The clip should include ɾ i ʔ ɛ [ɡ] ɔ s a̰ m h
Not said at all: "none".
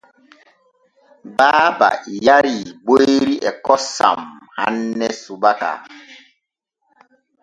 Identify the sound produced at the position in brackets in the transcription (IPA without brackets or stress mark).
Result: k